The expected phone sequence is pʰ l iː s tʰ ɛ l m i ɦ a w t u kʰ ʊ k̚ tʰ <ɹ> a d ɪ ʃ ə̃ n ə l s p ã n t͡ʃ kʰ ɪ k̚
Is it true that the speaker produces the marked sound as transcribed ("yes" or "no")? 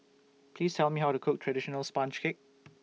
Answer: yes